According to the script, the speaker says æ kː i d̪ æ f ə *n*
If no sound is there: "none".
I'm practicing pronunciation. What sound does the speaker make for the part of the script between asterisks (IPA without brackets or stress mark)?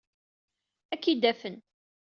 n